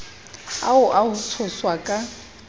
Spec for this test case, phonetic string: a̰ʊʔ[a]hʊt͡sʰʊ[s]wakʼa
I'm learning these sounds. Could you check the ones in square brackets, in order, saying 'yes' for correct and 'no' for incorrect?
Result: yes, yes

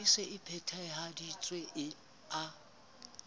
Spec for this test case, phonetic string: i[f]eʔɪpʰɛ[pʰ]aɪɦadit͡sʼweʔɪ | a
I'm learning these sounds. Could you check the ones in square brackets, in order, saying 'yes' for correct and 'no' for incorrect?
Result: no, no

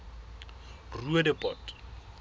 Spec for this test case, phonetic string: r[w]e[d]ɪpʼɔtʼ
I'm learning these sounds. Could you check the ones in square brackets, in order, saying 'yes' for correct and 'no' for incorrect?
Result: no, yes

